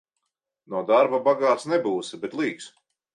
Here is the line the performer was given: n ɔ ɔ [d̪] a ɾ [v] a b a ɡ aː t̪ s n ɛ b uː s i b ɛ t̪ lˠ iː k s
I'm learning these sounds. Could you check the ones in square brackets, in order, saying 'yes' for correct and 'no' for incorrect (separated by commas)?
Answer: yes, no